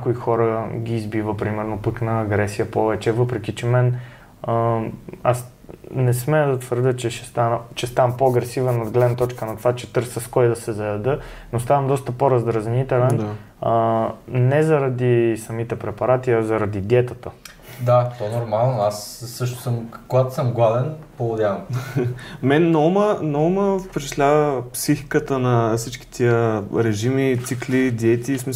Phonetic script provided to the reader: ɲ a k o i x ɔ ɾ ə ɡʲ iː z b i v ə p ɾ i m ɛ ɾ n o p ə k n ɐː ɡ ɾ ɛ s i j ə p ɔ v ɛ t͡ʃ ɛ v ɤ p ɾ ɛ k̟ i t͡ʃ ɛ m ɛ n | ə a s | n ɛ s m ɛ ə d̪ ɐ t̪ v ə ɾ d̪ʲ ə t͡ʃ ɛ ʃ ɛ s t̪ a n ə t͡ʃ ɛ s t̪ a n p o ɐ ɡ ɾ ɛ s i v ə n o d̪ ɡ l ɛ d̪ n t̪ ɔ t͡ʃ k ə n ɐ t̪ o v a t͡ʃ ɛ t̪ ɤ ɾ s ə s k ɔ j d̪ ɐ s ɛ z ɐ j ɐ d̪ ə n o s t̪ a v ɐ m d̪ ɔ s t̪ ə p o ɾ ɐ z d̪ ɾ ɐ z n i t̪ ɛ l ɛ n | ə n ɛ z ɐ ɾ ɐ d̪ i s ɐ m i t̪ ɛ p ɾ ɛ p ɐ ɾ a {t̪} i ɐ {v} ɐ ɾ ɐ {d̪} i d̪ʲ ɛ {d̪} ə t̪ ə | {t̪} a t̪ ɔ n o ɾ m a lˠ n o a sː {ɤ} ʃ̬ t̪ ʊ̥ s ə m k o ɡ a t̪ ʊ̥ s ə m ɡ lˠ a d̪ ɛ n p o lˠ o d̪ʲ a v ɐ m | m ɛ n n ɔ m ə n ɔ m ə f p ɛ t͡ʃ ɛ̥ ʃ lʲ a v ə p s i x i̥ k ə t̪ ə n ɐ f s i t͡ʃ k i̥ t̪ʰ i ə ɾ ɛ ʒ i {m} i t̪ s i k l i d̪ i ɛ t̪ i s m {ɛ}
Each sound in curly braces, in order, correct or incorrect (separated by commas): correct, incorrect, correct, incorrect, incorrect, correct, correct, incorrect